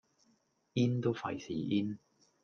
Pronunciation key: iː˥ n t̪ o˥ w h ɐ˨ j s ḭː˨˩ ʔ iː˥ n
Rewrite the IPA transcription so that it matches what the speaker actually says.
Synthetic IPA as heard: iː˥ n t̪ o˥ w f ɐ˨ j s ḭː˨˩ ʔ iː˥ n

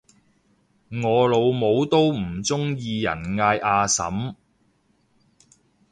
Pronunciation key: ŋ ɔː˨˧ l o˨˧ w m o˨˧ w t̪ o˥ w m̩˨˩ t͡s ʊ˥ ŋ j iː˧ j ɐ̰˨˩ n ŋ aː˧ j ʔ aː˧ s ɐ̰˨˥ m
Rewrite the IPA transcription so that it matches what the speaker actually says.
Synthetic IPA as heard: ŋ ɔː˨˧ l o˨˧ w m o˨˧ w t̪ o˥ w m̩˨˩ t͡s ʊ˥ ŋ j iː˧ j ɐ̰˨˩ n ŋ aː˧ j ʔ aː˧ s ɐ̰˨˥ m

